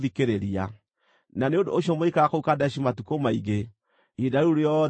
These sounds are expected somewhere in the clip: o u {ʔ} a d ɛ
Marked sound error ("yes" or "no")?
yes